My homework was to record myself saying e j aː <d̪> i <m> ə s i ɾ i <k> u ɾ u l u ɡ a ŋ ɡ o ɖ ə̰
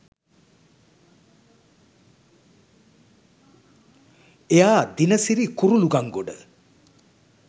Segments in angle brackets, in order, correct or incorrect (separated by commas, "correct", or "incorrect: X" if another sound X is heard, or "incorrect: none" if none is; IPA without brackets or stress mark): correct, incorrect: n, correct